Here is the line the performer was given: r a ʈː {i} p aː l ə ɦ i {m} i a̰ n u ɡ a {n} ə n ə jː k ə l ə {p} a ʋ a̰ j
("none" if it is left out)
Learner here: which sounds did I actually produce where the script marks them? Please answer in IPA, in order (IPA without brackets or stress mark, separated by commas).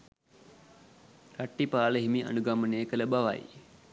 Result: i, m, m, b